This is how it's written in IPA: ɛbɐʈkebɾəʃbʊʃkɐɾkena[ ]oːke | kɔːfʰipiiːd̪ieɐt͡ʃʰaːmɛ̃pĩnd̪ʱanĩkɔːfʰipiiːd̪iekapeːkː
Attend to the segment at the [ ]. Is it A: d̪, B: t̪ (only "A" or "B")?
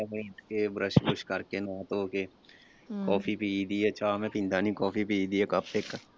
B